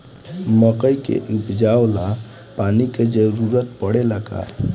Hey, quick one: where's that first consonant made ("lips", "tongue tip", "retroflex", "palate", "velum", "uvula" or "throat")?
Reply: lips